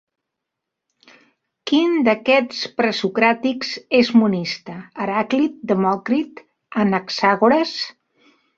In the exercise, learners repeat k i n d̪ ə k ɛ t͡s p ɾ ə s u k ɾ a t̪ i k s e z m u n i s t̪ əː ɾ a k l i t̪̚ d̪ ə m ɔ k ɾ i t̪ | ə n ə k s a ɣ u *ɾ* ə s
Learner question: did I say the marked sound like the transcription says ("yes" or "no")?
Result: yes